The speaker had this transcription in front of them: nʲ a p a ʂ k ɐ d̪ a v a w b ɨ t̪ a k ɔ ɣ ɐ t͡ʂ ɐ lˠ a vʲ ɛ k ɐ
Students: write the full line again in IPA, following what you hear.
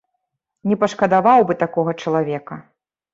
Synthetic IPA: nʲ ɛ p ɐ ʂ k ɐ d̪ a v a w b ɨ t̪ a k ɔ ɣ ɐ t͡ʂ ɐ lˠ a vʲ ɛ k ɐ